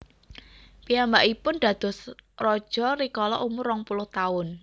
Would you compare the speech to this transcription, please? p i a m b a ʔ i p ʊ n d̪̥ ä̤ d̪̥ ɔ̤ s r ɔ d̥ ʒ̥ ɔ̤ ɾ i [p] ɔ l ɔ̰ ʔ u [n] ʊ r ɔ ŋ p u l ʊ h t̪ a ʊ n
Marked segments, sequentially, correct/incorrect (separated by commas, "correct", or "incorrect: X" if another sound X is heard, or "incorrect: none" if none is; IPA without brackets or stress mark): incorrect: k, incorrect: m